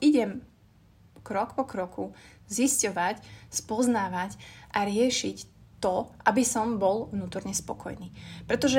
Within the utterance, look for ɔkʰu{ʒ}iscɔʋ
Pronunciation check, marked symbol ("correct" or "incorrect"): incorrect